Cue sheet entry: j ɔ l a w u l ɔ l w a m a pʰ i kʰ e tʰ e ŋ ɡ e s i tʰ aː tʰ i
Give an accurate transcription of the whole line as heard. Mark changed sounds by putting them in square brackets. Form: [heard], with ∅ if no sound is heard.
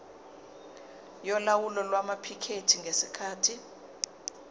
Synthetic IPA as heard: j ɔ l a w u l ɔ l w a m a pʰ i kʰ e tʰ [i] ŋ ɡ e s i [kʰ] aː tʰ i